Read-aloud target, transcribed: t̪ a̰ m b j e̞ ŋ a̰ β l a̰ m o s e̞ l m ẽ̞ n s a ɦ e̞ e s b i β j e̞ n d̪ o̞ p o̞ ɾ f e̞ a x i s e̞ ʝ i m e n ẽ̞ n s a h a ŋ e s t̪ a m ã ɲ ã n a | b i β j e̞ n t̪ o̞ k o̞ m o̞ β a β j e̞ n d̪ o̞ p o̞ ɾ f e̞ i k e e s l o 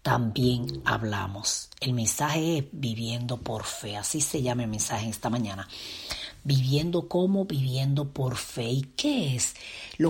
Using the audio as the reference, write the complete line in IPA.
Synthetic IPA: t̪ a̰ m b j e̞ ŋ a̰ β l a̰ m o s e̞ l m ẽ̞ n s a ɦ e̞ e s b i β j e̞ n d̪ o̞ p o̞ ɾ f e̞ a s i s e̞ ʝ a m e m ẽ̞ n s a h e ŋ e s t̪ a m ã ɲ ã n a | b i β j e̞ n d̪ o̞ k o̞ m o̞ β i β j e̞ n d̪ o̞ p o̞ ɾ f e̞ i k e e s l o